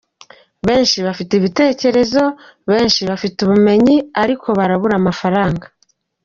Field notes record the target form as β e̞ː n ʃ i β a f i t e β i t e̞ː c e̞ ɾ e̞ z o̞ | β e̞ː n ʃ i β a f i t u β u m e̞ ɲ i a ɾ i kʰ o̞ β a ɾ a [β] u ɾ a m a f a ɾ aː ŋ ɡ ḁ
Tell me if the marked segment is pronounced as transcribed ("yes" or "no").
yes